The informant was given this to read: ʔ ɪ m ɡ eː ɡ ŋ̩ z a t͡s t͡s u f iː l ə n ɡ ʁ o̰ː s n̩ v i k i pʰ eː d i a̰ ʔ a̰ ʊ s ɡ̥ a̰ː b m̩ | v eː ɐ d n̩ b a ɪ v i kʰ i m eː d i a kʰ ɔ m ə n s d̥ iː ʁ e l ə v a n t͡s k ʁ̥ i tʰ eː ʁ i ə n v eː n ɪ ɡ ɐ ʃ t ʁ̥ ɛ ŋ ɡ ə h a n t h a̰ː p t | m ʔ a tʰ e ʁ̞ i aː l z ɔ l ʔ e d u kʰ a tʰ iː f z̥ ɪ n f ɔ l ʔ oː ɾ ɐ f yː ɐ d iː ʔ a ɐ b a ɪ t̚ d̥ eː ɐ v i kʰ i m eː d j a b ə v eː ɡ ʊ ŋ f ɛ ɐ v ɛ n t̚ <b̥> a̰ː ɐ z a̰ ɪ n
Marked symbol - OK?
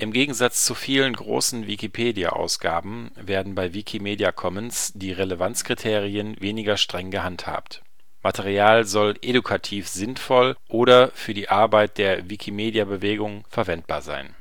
yes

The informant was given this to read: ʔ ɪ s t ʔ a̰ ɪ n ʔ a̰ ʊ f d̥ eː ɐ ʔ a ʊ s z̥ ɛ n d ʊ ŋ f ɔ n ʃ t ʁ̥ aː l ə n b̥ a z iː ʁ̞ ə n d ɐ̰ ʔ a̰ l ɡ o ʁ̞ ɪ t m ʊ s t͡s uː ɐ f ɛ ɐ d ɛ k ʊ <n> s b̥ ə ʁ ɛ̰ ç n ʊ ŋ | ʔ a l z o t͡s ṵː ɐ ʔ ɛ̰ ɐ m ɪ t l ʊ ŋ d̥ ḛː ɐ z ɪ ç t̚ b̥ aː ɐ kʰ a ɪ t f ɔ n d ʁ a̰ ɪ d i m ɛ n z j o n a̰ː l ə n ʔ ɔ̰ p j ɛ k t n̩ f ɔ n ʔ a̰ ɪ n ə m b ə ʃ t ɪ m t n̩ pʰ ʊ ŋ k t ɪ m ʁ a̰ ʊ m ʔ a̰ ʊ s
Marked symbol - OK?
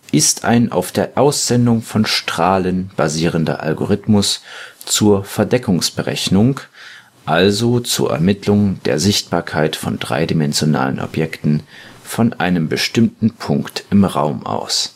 no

